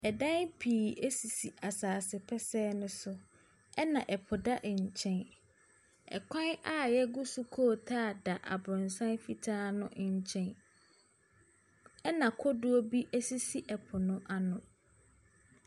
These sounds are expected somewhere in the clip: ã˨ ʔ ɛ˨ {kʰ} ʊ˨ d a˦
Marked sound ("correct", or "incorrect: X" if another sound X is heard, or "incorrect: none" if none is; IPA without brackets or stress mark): incorrect: pʰ